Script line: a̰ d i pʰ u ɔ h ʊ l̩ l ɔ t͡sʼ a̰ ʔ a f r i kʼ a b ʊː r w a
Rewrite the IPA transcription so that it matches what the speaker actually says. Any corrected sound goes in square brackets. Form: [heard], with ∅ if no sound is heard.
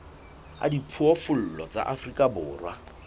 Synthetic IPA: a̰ d i pʰ u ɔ [f] ʊ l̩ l ɔ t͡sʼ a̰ ʔ a f r i kʼ a b ʊː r w a